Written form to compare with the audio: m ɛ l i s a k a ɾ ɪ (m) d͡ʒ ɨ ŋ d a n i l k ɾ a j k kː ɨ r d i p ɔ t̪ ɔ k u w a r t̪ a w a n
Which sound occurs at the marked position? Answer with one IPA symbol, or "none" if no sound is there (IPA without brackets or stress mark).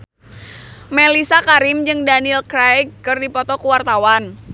m